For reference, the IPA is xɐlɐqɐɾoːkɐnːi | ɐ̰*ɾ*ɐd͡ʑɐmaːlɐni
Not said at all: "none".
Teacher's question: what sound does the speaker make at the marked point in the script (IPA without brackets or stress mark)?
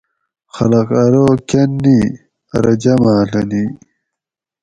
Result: ɾ